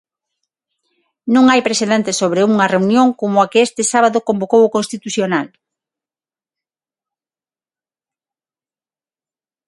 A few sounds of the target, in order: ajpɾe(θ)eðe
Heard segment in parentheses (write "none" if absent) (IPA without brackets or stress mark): s